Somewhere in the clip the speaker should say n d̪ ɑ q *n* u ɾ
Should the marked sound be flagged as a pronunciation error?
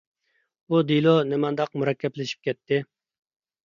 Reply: yes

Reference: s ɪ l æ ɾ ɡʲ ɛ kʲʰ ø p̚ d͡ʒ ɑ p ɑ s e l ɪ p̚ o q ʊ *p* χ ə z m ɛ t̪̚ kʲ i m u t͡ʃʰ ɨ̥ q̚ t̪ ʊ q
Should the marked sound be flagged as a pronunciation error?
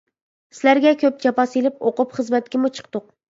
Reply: no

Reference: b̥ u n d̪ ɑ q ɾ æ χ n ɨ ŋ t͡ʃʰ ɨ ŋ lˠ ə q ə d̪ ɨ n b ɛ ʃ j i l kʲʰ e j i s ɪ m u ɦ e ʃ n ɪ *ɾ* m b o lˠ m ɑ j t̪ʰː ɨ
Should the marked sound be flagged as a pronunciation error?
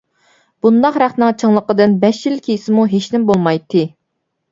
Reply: yes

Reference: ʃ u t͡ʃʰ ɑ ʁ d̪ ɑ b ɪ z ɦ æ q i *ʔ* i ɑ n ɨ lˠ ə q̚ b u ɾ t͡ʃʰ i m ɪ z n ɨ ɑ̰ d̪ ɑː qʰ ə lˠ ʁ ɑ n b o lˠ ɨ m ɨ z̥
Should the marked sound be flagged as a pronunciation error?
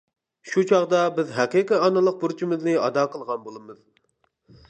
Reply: yes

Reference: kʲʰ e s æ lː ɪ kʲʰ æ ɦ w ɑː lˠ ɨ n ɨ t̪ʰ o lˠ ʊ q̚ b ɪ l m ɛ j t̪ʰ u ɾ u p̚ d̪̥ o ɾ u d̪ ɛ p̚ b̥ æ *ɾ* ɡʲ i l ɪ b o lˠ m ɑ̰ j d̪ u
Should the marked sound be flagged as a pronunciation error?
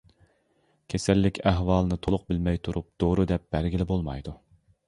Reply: no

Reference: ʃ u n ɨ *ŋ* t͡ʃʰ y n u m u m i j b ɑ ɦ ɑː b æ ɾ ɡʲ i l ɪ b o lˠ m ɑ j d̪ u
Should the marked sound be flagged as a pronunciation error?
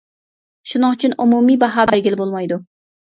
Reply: no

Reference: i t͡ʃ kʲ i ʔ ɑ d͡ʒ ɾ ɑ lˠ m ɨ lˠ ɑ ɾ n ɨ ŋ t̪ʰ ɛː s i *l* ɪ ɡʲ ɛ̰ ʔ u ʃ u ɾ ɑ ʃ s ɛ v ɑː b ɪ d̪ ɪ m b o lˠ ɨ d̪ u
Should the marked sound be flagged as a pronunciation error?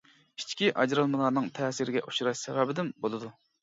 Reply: yes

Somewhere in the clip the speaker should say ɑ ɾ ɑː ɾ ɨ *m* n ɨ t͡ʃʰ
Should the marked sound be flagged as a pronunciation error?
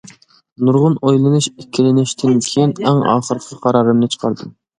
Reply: no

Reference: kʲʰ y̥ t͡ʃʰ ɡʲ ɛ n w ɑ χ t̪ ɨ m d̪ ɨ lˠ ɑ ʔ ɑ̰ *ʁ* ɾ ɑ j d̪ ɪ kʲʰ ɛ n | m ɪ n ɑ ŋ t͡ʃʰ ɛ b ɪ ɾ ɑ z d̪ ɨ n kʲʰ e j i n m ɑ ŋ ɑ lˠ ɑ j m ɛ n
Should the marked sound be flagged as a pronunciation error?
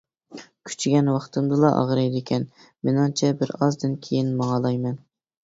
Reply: no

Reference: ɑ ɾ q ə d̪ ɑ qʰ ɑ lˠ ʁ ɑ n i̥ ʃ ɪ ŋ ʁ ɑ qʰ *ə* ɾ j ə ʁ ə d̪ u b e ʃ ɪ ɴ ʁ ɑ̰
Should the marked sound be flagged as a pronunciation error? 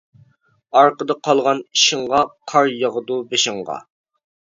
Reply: yes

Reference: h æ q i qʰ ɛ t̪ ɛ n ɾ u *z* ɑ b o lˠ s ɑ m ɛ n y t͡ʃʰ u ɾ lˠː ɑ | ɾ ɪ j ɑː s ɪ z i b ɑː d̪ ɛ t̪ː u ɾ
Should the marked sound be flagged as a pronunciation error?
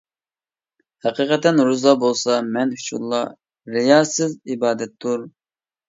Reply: no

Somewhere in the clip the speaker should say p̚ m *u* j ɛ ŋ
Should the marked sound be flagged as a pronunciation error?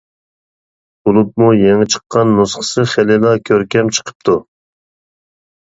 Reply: no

